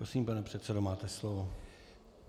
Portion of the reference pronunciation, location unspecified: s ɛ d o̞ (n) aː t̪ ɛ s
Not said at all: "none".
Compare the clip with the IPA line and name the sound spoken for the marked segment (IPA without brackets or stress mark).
m